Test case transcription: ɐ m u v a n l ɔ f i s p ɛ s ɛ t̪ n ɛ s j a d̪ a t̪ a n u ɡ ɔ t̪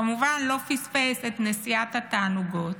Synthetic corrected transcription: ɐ m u v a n l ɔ f i s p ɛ s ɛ t̪ n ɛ s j a t̪ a t̪ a n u ɡ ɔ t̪